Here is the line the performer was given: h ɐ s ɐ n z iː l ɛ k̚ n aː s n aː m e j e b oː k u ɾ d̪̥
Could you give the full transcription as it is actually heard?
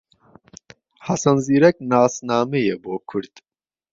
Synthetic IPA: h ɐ s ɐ n z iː ɾ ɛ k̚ n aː s n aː m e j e b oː kʰ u ɾ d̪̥